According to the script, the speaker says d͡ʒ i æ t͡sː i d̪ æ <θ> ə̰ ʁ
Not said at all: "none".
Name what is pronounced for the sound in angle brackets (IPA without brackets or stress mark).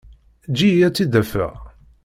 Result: f